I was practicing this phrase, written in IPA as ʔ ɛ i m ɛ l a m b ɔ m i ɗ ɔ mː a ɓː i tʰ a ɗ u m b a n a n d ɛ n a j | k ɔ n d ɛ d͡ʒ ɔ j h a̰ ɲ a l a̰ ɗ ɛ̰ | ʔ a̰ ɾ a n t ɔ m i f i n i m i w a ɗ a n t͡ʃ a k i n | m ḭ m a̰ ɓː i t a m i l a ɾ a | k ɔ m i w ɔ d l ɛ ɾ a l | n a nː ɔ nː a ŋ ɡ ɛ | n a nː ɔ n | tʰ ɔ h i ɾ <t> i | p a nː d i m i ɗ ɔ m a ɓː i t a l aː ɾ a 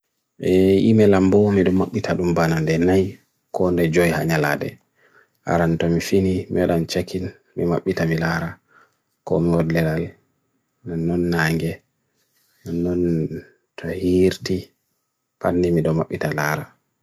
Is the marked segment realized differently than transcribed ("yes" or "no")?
no